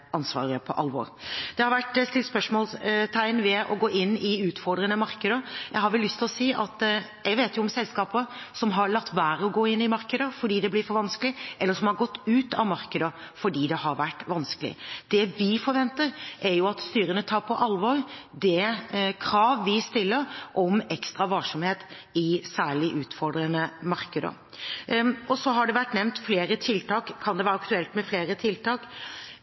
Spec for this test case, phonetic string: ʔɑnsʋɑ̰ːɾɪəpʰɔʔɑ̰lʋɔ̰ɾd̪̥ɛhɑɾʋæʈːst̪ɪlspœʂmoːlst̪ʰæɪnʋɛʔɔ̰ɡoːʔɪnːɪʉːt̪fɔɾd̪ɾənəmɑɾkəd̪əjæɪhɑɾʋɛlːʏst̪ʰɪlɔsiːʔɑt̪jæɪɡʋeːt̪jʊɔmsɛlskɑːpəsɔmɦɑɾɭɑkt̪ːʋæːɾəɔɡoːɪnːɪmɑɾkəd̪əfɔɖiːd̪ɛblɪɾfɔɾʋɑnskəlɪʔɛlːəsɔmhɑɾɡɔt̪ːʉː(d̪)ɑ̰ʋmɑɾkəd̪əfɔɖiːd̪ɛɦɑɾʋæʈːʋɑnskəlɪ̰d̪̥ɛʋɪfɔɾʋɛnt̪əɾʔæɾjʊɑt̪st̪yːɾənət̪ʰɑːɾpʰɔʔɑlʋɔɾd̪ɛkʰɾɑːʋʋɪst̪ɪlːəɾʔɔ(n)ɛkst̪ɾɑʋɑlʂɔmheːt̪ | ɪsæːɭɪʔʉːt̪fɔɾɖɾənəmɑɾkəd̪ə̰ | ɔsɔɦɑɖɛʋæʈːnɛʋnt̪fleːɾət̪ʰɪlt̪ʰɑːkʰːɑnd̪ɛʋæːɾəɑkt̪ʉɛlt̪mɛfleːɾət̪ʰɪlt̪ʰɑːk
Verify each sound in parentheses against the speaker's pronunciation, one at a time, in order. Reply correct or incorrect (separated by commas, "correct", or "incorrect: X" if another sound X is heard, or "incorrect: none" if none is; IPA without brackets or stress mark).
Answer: incorrect: t̪, incorrect: m